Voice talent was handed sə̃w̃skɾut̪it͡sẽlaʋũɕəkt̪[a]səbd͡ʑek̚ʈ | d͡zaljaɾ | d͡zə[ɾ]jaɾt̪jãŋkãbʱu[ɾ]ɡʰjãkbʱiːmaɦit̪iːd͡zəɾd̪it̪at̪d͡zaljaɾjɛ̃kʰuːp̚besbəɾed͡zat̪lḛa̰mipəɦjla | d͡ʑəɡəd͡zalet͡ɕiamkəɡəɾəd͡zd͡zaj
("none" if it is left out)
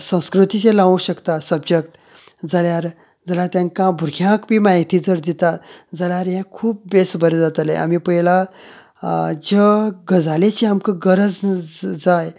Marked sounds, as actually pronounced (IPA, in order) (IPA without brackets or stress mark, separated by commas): a, l, ɾ